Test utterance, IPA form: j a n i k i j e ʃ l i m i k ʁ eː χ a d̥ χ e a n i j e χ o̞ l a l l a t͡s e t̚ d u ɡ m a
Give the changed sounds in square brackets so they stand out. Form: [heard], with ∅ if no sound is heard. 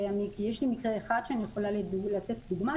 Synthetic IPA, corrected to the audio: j a [m] i k i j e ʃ l i m i k ʁ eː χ a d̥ [ʃ] e a n i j e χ o̞ l a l l a t͡s e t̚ d u ɡ m a